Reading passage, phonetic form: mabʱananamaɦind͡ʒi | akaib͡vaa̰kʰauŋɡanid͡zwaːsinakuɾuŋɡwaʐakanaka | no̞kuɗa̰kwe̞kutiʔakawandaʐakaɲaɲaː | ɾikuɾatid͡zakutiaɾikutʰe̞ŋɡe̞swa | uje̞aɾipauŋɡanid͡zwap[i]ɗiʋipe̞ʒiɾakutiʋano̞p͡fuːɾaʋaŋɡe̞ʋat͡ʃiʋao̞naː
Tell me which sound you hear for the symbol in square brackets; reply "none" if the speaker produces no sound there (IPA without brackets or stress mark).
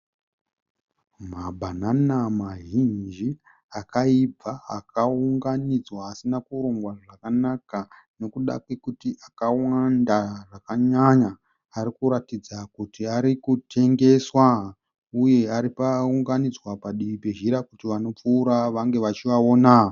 a